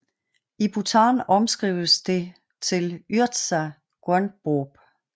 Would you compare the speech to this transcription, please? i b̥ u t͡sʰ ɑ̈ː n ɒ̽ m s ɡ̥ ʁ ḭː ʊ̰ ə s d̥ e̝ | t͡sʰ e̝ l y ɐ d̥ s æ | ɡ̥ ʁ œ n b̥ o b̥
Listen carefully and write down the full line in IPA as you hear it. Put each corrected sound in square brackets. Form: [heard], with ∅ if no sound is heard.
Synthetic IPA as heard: i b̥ u t͡sʰ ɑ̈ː n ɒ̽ m s ɡ̥ ʁ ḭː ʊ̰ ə s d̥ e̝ | t͡sʰ e̝ l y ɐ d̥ s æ | ɡ̥ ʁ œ n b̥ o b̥